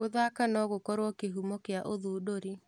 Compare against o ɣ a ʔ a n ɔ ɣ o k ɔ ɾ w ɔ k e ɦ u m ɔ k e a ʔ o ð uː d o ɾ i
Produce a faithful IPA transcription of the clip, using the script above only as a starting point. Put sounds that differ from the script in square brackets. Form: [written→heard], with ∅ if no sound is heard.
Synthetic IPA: o [ɣ→ð] a [ʔ→k] a n ɔ ɣ o k ɔ ɾ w ɔ k e ɦ u m ɔ k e a ʔ o ð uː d o ɾ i